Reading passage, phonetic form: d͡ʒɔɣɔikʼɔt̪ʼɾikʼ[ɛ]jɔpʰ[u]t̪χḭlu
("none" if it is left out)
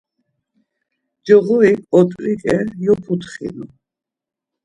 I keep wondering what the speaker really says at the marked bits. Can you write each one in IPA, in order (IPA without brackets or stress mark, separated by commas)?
ɛ, u